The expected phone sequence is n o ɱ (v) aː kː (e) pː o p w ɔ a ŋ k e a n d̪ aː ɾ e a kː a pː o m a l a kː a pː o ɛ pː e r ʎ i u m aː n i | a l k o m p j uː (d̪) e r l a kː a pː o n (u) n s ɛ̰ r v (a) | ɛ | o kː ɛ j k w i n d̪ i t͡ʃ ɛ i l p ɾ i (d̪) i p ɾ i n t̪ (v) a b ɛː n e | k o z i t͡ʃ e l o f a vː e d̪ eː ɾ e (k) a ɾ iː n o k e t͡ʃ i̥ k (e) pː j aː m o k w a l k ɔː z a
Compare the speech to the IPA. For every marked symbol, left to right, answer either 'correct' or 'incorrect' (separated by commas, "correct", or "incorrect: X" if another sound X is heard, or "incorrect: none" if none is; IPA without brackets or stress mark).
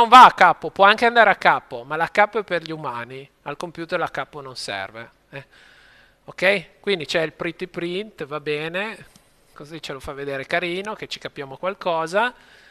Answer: correct, incorrect: a, incorrect: t̪, incorrect: o, incorrect: e, incorrect: t̪, correct, correct, incorrect: a